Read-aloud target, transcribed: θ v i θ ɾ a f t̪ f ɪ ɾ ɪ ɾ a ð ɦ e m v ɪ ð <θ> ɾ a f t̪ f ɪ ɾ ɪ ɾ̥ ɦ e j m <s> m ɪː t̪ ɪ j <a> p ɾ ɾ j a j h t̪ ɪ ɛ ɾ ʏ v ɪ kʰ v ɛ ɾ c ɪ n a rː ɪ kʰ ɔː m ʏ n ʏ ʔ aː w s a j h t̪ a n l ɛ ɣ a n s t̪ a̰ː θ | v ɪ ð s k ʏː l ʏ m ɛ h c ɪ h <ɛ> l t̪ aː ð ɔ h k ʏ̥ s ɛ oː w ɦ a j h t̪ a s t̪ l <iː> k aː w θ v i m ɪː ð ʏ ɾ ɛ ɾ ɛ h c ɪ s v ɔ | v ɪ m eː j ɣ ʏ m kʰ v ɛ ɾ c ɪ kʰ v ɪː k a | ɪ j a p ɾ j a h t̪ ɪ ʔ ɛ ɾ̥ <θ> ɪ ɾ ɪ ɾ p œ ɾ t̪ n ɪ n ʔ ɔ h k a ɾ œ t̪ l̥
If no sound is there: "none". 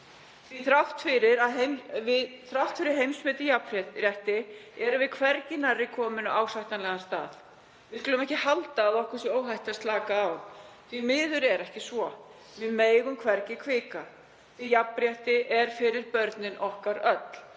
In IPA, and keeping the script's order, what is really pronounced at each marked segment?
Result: θ, s, a, a, aː, f

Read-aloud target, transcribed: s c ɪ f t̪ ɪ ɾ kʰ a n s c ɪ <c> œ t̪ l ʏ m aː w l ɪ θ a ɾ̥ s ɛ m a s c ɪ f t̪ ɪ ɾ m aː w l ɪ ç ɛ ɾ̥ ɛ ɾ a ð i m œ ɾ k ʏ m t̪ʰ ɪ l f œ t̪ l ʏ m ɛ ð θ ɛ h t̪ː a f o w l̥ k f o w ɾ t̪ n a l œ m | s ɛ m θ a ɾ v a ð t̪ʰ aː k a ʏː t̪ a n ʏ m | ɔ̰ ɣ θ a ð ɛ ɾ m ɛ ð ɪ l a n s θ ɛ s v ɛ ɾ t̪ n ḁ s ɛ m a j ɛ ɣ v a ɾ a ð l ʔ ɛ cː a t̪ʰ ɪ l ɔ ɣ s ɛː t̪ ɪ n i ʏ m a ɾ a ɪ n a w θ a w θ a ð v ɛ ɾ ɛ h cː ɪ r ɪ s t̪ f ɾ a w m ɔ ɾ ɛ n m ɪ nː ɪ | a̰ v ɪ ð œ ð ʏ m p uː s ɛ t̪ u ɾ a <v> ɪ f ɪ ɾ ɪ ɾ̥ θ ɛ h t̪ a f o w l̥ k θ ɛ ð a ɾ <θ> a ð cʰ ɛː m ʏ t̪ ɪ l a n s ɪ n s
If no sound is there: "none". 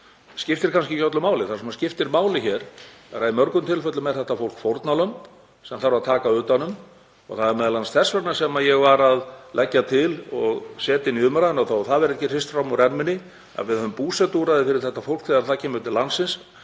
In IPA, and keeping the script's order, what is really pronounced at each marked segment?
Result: c, ð, θ

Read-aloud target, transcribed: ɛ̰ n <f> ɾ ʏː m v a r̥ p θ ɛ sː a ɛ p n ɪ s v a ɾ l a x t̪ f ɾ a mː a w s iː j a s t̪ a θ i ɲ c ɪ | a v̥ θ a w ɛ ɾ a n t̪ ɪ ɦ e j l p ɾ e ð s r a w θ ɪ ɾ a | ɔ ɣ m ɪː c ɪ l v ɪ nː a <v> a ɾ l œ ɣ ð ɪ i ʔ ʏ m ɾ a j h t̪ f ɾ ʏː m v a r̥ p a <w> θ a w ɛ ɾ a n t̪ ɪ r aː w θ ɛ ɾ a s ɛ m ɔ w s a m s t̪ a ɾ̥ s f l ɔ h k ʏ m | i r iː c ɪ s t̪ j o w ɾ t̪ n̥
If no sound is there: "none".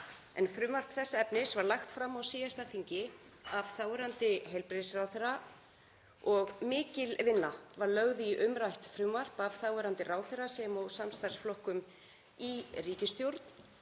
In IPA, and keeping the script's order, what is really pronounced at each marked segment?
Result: f, v, v

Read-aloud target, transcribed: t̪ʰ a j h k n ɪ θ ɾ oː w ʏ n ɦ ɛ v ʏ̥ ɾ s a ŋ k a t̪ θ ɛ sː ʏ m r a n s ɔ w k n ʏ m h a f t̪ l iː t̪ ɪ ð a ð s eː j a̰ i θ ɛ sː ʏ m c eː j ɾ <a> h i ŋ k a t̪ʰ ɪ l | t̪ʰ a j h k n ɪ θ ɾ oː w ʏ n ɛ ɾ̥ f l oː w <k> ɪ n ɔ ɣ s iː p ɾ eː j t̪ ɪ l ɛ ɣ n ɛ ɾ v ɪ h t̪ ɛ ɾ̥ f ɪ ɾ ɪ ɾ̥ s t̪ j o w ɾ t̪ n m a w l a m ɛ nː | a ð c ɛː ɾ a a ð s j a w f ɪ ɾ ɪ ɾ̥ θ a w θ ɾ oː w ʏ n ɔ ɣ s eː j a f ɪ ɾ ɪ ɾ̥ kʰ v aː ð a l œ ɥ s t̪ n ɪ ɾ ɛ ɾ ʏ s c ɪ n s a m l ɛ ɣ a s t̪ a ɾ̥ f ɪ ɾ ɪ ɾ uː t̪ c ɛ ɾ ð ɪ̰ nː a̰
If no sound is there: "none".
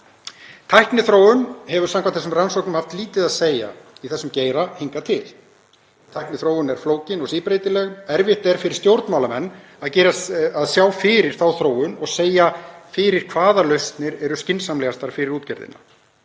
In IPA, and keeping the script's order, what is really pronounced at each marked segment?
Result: a, c

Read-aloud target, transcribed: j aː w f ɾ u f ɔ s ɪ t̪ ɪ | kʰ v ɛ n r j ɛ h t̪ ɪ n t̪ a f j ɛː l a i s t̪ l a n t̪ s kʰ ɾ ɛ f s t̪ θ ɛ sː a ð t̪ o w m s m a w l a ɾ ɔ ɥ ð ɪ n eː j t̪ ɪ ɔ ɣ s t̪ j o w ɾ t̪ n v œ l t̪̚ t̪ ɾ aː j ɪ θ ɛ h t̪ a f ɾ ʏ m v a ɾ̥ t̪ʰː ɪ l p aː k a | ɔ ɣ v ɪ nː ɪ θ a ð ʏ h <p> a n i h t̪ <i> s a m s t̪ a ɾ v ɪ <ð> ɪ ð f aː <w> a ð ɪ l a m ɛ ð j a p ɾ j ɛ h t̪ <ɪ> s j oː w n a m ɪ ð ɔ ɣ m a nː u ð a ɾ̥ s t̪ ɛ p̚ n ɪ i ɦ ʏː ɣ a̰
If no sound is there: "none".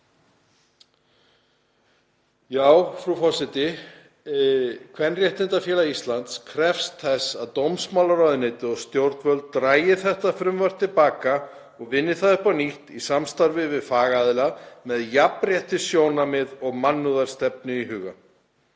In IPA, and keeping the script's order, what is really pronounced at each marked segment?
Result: p, i, v, ɣ, ɪ

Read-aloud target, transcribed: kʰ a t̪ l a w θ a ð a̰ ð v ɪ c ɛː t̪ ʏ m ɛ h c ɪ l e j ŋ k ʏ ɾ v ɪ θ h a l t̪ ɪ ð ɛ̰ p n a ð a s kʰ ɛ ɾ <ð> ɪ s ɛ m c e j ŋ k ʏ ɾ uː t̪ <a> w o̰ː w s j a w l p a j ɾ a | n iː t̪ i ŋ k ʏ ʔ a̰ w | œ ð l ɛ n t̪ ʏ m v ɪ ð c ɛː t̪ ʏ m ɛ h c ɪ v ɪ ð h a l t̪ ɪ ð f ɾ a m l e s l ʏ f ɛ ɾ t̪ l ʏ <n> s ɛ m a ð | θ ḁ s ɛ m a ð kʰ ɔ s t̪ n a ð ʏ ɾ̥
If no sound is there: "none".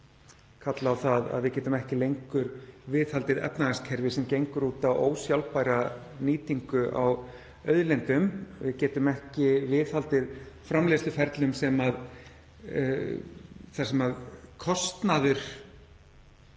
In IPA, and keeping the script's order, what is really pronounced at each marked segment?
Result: v, a, m

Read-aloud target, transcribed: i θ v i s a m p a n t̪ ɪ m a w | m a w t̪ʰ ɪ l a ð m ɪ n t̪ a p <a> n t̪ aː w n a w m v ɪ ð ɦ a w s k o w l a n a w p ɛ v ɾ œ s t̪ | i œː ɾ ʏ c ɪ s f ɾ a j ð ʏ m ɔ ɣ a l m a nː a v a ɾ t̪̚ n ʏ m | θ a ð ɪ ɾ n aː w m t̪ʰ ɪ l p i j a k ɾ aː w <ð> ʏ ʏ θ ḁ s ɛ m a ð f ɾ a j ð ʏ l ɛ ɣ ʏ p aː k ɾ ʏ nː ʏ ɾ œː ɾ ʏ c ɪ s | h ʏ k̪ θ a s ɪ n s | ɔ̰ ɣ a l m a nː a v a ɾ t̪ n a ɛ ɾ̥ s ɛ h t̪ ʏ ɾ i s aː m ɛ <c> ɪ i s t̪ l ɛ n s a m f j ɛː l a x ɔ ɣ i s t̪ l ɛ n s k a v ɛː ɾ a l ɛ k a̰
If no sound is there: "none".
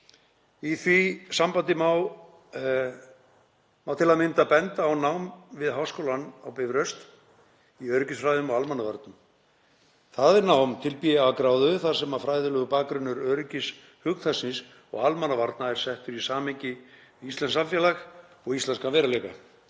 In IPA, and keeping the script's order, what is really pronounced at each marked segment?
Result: ɛ, ð, c

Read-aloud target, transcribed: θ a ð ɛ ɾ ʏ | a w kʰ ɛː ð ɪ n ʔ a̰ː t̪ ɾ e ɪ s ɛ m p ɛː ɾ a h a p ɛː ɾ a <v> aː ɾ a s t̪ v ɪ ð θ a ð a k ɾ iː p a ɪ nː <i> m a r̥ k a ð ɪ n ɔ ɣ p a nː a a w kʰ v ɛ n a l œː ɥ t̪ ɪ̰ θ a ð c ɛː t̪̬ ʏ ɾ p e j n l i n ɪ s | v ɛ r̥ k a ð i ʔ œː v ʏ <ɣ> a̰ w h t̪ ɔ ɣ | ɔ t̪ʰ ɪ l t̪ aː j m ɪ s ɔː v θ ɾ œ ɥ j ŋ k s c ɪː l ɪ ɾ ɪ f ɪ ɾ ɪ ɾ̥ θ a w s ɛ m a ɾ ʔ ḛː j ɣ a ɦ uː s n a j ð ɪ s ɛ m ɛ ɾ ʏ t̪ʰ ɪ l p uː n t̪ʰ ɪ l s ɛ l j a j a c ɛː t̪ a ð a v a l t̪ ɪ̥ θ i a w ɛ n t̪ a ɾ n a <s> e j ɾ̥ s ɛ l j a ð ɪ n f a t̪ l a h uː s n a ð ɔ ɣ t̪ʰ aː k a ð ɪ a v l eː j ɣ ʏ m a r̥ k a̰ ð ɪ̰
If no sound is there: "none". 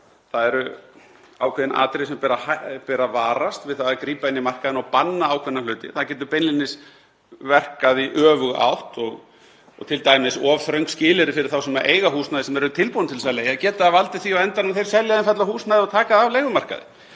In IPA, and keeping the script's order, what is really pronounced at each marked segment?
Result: v, i, ɣ, θ

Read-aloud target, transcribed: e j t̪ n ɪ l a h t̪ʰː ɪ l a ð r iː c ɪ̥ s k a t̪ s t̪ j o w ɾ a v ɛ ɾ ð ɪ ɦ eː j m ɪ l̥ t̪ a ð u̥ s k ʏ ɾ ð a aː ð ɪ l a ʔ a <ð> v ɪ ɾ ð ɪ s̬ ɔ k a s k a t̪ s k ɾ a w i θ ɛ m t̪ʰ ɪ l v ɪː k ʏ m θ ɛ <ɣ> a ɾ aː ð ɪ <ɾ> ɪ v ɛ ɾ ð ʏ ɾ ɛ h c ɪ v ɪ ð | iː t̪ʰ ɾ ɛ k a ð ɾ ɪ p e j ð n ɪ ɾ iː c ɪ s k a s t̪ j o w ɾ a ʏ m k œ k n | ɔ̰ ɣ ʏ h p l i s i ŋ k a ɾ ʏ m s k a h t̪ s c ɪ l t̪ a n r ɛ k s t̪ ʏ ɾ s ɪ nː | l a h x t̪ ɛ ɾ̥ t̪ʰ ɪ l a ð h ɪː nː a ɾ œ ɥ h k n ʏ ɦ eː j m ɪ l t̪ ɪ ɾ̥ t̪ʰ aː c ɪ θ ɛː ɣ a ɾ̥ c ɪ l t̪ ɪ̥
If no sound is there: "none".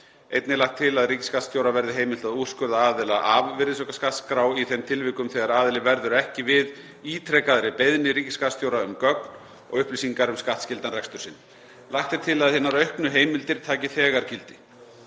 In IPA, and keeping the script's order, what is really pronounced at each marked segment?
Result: v, ɣ, l

